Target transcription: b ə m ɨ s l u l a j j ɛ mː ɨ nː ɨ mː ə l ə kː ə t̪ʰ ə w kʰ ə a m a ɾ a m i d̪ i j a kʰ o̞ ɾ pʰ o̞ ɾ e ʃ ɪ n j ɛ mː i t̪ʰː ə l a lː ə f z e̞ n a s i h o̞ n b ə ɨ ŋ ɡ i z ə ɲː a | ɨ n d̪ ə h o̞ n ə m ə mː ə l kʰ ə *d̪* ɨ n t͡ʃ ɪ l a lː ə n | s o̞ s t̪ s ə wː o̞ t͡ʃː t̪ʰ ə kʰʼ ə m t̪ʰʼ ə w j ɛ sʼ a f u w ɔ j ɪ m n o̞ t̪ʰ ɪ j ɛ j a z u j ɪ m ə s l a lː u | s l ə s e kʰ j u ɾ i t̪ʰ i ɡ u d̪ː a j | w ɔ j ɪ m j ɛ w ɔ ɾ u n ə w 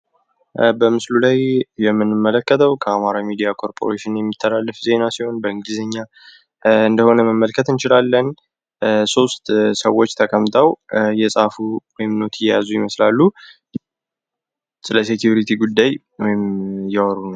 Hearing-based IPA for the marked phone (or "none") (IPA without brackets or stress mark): t̪